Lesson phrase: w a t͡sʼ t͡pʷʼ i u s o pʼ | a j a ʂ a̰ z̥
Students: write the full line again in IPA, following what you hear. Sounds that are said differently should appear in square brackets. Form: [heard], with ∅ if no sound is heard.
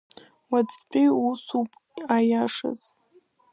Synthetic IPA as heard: w a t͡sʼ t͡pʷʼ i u s [u] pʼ | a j a ʂ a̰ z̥